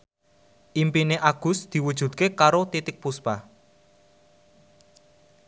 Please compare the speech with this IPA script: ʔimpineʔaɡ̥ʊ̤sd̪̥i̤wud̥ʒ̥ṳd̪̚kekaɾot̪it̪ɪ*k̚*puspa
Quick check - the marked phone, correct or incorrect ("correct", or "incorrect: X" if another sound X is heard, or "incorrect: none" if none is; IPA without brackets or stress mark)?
correct